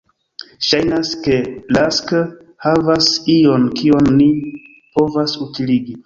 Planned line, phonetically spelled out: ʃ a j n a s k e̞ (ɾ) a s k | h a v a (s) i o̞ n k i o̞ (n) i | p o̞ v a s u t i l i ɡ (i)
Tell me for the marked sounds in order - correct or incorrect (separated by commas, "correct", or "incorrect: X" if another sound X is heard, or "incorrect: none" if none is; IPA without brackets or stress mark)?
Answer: incorrect: l, correct, incorrect: nː, correct